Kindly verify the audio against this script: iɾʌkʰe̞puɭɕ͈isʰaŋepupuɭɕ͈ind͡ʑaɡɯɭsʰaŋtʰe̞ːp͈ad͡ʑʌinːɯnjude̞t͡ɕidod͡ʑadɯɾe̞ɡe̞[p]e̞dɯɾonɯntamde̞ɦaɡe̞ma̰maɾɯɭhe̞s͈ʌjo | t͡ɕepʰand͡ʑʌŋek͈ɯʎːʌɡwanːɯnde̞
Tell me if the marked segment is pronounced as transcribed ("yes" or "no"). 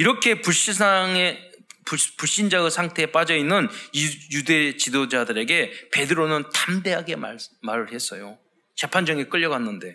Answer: yes